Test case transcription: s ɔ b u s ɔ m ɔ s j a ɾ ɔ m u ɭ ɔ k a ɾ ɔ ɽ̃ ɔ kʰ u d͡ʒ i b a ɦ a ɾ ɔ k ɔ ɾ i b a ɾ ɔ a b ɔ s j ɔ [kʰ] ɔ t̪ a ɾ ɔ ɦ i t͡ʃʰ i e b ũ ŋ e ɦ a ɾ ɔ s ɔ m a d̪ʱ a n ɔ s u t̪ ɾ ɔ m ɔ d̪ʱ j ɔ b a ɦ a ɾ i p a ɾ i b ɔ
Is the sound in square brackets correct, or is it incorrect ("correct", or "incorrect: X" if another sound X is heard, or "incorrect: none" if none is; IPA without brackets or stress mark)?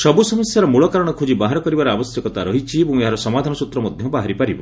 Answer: incorrect: k